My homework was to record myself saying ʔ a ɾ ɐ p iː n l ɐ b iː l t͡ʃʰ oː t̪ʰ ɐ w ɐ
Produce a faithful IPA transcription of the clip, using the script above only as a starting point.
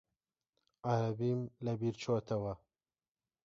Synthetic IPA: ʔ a ɾ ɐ b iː m l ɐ b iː ɾ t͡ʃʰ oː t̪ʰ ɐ w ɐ